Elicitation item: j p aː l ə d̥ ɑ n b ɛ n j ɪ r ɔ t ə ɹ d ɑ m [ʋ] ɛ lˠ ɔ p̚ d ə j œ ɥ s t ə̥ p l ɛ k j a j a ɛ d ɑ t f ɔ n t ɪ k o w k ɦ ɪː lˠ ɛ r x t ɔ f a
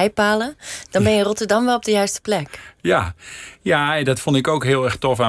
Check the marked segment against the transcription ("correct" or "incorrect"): correct